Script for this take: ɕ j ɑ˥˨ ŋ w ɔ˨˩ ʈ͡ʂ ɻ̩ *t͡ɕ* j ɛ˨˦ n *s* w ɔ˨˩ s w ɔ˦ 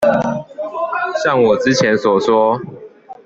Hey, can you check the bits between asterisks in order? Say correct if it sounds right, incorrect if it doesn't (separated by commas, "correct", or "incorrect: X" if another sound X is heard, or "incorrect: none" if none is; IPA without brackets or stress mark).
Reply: incorrect: t͡ɕʰ, correct